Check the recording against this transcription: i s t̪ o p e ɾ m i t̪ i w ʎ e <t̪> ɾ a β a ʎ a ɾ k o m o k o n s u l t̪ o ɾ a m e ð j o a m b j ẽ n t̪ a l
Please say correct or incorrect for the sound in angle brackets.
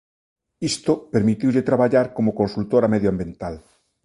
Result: correct